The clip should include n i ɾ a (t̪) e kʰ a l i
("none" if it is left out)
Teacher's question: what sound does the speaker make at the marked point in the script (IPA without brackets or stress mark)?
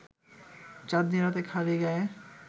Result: t̪